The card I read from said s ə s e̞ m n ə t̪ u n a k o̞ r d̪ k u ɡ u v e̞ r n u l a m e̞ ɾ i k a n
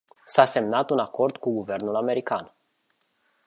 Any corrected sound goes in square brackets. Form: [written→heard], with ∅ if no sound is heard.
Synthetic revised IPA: s [ə→a] s e̞ m n [ə→a] t̪ u n a k o̞ r d̪ k u ɡ u v e̞ r n u l a m e̞ ɾ i k a n